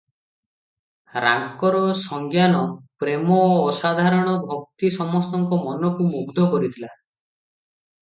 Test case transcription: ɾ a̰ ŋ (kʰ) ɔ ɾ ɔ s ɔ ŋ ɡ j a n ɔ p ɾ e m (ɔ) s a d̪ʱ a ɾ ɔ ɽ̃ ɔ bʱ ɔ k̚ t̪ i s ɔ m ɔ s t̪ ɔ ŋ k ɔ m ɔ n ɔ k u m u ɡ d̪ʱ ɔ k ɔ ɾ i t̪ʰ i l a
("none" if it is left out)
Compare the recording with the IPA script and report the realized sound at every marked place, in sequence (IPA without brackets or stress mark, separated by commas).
k, ɔː